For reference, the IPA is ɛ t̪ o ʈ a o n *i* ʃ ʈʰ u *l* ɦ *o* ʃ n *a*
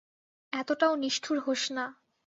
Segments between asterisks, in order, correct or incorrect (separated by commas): correct, incorrect, correct, correct